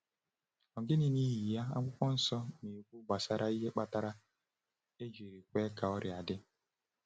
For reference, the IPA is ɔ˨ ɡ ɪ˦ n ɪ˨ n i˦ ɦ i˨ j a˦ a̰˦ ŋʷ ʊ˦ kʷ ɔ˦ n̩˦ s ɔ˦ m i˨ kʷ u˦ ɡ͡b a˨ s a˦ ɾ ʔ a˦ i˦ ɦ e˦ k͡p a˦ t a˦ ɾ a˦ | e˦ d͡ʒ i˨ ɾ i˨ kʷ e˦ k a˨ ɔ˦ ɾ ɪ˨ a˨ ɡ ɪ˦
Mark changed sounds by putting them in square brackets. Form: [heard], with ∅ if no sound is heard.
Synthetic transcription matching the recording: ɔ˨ ɡ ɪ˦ n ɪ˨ n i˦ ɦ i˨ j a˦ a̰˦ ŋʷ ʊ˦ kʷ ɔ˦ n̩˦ s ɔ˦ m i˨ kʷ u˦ ɡ͡b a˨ s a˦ ɾ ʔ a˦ i˦ ɦ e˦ k͡p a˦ t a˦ ɾ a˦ | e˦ d͡ʒ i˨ ɾ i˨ kʷ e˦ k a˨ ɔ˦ ɾ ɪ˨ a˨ [d] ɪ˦